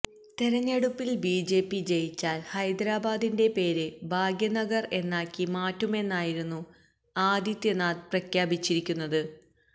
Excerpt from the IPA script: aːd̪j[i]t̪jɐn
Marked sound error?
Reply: no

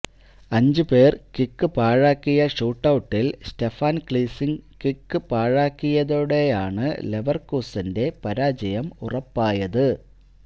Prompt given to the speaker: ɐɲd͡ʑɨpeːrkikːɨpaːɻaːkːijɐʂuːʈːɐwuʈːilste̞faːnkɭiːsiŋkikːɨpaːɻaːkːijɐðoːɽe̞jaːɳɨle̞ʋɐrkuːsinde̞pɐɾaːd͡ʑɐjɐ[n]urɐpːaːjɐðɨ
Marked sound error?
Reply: yes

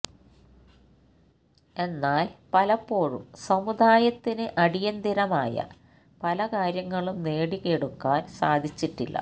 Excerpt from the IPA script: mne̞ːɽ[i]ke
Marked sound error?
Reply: no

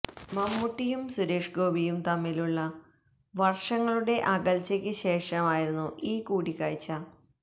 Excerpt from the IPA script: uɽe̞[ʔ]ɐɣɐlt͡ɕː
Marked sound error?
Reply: no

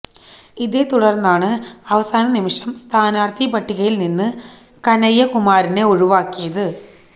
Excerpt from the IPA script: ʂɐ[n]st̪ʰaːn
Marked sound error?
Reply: yes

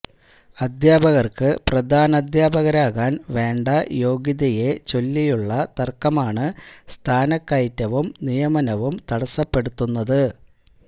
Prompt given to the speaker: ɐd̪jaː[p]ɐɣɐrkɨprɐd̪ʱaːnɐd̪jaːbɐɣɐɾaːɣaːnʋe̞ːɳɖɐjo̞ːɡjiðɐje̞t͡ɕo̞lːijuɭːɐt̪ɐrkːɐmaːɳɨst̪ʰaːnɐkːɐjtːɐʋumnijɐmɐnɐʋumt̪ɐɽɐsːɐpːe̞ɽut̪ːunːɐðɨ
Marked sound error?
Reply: yes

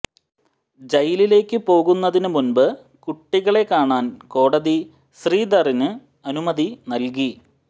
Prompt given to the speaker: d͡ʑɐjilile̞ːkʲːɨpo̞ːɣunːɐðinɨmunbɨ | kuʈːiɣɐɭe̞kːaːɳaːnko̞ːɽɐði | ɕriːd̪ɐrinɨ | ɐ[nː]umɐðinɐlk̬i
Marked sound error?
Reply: yes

